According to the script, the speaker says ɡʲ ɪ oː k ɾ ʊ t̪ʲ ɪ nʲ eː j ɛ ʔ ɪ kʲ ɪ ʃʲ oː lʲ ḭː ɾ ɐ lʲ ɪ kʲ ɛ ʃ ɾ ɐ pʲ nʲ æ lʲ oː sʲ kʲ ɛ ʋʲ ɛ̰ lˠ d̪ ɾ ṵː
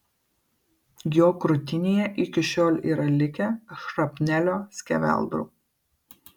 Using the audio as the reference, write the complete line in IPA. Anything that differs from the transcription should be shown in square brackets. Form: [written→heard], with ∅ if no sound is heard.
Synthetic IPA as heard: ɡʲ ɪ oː k ɾ ʊ t̪ʲ ɪ nʲ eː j ɛ ʔ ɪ kʲ ɪ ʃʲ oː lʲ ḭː ɾ ɐ lʲ ɪ kʲ ɛ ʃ ɾ ɐ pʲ nʲ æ lʲ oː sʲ kʲ ɛ ʋʲ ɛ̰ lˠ d̪ ɾ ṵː